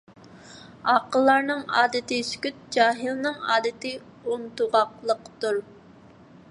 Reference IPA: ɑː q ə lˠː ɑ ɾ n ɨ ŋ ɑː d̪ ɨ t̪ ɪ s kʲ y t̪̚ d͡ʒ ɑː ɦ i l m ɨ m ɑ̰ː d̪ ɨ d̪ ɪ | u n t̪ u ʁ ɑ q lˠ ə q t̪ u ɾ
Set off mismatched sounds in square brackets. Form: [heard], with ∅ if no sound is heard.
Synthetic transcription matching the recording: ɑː q ə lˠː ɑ ɾ n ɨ ŋ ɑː d̪ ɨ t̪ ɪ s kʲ y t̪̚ d͡ʒ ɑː ɦ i l [n] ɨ [ŋ] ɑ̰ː d̪ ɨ [t̪] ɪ | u n t̪ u ʁ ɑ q lˠ ə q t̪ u ɾ